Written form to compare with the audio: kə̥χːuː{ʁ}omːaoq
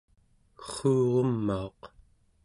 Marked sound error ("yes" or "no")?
no